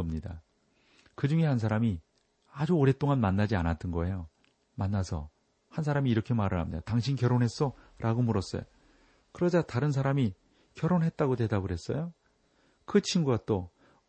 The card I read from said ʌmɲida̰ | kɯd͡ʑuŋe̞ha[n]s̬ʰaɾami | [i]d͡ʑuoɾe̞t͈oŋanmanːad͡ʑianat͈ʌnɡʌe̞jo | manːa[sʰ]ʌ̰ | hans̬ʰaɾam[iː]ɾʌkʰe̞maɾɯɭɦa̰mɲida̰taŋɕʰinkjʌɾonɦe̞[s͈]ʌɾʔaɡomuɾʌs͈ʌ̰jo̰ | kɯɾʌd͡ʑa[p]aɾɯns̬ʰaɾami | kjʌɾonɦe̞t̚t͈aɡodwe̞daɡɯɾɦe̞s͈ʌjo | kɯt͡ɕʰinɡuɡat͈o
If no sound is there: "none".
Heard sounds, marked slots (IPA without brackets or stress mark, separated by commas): n, a, sʰ, iː, s͈, t